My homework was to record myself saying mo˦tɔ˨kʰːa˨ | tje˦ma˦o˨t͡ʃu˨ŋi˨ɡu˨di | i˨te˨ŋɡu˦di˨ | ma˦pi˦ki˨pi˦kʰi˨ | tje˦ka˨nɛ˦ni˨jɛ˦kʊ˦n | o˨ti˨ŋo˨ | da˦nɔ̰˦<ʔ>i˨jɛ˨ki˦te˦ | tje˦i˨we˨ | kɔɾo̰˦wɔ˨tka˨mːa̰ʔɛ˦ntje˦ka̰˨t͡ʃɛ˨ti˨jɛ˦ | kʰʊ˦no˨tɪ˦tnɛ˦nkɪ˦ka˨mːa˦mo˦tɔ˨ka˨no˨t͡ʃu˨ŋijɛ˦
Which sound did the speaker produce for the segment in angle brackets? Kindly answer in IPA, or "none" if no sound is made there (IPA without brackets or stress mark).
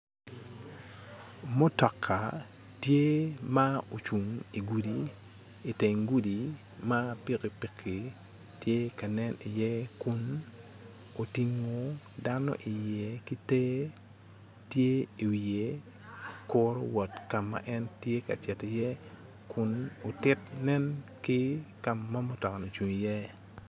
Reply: ʔ